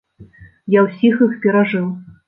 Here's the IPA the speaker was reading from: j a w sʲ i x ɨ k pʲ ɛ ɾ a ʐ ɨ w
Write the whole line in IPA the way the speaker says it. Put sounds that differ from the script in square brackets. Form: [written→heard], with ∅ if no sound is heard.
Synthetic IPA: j a w sʲ i x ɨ [k→x] pʲ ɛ ɾ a ʐ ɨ w

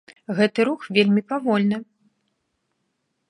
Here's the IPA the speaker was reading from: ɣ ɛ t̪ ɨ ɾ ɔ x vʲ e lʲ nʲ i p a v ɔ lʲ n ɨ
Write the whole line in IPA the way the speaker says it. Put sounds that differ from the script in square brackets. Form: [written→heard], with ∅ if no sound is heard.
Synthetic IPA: ɣ ɛ t̪ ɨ ɾ [ɔ→u] x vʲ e lʲ [nʲ→mʲ] i p a v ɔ lʲ n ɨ

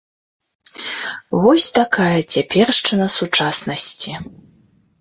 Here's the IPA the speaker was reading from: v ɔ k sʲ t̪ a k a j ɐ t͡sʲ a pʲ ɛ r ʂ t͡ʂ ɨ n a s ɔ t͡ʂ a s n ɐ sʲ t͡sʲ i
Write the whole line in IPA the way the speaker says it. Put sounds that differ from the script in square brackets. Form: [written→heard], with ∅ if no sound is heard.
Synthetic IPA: v ɔ [k→∅] sʲ t̪ a k a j ɐ t͡sʲ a pʲ ɛ r ʂ t͡ʂ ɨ n [a→ɐ] s [ɔ→u] t͡ʂ a s n ɐ sʲ t͡sʲ i

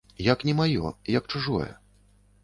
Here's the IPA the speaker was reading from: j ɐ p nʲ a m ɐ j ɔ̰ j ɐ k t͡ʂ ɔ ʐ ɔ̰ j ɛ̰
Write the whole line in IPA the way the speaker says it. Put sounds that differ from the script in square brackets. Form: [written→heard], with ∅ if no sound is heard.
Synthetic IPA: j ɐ [p→k] nʲ [a→ɛ] m [ɐ→a] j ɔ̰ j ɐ k t͡ʂ [ɔ→u] ʐ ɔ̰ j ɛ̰

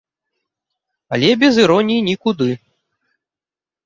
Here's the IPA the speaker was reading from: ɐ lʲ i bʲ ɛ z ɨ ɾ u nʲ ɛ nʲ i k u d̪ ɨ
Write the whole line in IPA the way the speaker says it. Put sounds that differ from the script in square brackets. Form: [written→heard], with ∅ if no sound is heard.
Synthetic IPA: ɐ lʲ [i→ɛ] bʲ ɛ z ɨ ɾ [u→ɔ] nʲ [ɛ→i] nʲ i k u d̪ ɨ

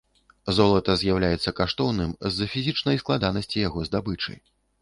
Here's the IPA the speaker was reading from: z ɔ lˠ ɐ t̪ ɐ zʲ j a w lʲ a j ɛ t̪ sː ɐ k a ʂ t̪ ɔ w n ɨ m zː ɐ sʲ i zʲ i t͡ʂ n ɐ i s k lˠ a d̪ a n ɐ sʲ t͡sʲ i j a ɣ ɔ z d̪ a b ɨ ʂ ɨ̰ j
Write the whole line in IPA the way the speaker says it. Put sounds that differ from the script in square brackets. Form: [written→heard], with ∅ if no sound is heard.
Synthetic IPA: z ɔ lˠ ɐ t̪ ɐ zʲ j a w lʲ a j ɛ t̪ sː ɐ k a ʂ t̪ ɔ w n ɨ m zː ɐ [sʲ→fʲ] i zʲ i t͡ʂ n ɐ [i→j] s k lˠ a d̪ a n ɐ sʲ t͡sʲ i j a ɣ ɔ z d̪ a b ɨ [ʂ→t͡ʂ] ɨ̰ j

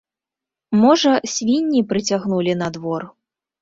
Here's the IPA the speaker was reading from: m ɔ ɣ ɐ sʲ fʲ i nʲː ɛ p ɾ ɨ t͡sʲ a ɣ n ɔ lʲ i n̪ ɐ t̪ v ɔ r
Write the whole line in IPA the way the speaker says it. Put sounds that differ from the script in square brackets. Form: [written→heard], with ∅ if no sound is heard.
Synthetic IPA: m ɔ [ɣ→ʐ] ɐ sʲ [fʲ→vʲ] i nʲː [ɛ→i] p ɾ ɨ t͡sʲ a ɣ n [ɔ→u] lʲ i n̪ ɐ [t̪→d̪] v ɔ r

